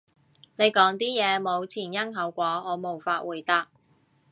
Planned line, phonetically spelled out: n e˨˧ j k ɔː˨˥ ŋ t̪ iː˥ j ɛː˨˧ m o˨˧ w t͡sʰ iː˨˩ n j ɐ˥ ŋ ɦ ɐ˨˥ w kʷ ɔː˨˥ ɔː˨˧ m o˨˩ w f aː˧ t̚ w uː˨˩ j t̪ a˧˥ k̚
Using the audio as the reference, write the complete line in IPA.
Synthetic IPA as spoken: n e˨˧ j k ɔː˨˥ ŋ t̪ iː˥ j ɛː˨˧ m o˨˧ w t͡sʰ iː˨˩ n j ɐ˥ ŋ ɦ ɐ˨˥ w kʷ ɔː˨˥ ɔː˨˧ m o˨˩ w f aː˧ t̚ w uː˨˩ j t̪ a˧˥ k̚